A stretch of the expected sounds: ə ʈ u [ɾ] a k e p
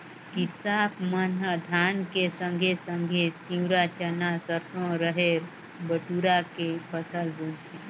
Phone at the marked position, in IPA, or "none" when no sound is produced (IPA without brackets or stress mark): ɾ